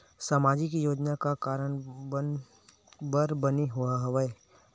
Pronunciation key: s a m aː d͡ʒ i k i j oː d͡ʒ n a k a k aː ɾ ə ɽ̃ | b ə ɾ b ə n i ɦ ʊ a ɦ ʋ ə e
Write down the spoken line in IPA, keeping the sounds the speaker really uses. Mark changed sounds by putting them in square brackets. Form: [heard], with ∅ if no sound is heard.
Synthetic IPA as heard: s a m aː d͡ʒ i k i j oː d͡ʒ n a k a k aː ɾ ə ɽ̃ | b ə ɾ b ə n i ɦ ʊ a ɦ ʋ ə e